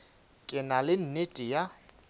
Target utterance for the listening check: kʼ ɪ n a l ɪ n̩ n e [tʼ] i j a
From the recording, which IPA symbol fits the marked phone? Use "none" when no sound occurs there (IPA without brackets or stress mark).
tʼ